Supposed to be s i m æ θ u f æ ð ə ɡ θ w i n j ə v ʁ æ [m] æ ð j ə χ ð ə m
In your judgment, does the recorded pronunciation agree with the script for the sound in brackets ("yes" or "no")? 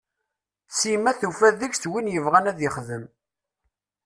no